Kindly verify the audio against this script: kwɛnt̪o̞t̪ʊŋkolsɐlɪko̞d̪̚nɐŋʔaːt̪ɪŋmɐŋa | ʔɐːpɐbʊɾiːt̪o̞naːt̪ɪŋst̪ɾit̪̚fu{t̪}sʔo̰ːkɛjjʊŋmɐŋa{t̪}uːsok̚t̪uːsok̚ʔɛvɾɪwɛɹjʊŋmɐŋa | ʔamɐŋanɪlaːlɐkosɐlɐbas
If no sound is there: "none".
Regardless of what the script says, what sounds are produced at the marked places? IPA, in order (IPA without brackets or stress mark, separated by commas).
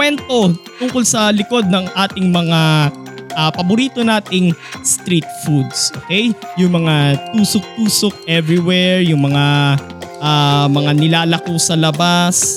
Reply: d̪, t̪